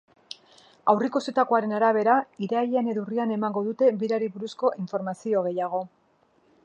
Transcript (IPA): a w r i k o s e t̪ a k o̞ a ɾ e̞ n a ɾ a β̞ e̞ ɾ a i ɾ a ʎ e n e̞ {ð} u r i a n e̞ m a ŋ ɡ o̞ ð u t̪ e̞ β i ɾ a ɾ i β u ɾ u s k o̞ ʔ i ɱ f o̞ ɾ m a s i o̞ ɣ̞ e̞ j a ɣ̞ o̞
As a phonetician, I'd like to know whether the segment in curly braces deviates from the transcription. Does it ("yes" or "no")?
no